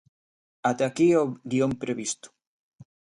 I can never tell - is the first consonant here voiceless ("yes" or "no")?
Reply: yes